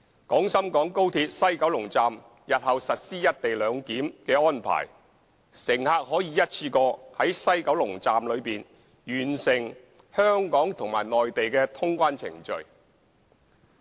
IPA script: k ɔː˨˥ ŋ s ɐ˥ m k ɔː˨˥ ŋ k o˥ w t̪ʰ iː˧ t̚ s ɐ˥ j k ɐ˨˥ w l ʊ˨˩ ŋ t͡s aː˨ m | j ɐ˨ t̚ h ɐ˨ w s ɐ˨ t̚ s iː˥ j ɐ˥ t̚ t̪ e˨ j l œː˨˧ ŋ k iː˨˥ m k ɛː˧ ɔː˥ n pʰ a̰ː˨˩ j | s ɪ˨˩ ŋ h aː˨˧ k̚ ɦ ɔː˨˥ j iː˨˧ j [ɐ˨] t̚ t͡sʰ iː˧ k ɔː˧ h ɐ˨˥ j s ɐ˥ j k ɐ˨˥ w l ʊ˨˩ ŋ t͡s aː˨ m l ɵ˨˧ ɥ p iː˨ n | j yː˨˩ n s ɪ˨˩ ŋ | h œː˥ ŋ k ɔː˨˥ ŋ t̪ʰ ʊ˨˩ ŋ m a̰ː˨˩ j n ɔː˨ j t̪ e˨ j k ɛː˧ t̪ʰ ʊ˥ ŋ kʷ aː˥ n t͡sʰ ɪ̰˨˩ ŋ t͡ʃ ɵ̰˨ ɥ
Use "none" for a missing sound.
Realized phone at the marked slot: ɐ˥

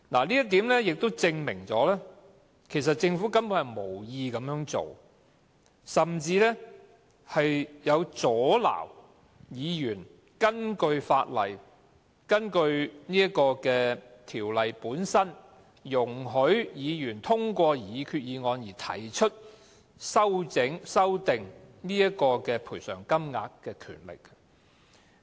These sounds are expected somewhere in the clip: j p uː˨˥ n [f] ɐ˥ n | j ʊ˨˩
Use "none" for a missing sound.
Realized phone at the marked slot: s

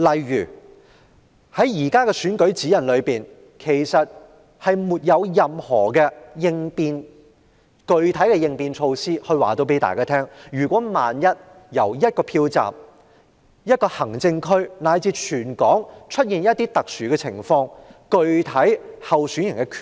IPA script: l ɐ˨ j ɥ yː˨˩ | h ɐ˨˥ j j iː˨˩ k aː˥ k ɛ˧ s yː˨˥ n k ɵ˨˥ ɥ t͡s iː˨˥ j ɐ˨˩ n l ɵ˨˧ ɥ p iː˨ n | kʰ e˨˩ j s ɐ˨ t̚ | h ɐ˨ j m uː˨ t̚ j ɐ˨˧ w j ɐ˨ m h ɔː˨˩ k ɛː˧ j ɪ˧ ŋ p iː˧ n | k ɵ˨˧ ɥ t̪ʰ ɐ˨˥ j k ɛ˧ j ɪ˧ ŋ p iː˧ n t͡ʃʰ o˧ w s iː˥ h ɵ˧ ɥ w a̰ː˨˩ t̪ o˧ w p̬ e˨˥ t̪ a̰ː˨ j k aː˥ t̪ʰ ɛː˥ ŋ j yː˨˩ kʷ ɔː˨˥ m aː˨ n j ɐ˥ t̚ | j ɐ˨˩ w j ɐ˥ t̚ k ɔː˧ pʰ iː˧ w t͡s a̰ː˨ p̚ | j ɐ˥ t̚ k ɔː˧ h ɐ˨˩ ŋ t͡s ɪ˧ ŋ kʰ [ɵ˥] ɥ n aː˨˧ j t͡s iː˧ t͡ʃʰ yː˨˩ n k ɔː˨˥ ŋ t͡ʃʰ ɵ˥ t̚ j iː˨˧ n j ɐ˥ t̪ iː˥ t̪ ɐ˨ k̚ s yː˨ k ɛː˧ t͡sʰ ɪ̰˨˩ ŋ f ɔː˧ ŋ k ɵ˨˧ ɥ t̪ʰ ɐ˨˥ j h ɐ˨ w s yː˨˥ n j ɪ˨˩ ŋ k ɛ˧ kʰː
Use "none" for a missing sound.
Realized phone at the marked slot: ɵ˥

